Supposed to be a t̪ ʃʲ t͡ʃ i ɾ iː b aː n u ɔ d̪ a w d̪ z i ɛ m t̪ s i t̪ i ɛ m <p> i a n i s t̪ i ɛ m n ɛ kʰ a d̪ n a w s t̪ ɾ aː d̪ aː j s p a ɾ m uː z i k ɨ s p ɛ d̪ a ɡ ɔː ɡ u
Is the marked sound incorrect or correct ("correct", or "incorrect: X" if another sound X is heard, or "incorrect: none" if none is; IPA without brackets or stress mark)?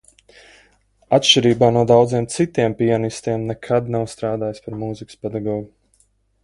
correct